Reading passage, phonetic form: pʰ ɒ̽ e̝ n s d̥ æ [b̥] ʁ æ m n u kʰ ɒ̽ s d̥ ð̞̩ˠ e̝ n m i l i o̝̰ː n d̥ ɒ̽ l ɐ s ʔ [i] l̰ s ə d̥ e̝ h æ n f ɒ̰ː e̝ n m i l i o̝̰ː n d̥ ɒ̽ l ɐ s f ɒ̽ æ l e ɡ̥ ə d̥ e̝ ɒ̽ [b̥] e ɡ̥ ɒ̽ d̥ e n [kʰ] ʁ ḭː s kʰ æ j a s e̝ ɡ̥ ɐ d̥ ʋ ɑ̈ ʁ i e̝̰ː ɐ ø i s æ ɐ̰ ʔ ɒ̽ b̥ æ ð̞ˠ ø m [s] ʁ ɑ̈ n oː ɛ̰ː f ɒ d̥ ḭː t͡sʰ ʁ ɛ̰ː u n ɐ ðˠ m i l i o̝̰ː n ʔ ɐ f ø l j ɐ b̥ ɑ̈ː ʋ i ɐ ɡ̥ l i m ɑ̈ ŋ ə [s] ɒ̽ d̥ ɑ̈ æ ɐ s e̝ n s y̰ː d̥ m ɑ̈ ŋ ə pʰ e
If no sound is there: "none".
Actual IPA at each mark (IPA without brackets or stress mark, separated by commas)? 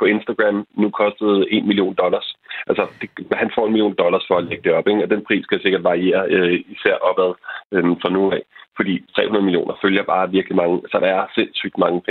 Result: ɡ̥, æ, b̥, pʰ, f, s